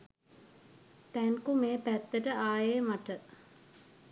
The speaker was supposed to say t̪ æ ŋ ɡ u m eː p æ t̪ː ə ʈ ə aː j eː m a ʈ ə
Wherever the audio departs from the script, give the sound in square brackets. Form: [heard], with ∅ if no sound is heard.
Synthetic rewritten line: t̪ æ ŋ [k] u m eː p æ t̪ː ə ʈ ə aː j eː m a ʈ ə